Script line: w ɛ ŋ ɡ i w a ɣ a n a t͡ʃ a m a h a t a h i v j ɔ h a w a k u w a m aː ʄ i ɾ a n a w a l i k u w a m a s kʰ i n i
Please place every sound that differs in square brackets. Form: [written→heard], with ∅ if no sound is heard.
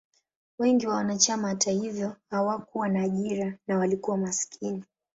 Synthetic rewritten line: w ɛ ŋ ɡ i w a [ɣ→w] a n a t͡ʃ a m a h a t a h i v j ɔ h a w a k u w a [m→n] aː ʄ i ɾ a n a w a l i k u w a m a s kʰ i n i